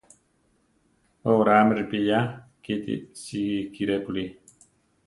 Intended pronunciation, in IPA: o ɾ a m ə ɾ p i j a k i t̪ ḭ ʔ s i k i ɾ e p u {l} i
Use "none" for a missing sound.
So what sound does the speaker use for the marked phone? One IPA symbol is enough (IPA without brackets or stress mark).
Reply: l